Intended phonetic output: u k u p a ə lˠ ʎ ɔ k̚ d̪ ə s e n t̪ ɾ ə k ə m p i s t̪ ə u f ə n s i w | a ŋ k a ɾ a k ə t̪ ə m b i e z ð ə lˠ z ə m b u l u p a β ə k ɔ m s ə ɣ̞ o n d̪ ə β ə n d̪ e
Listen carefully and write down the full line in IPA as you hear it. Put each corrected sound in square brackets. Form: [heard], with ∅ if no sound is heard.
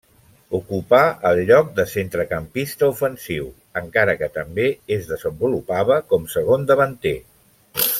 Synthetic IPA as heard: u k u p a ə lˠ ʎ ɔ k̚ d̪ ə s e n t̪ ɾ ə k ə m p i s t̪ ə u f ə n s i w | [ə] ŋ k a ɾ [ə] k ə t̪ ə m b [e] e z ð ə [∅] z ə m b u l u p a β ə k ɔ m s ə ɣ̞ o n d̪ ə β ə n [t̪] e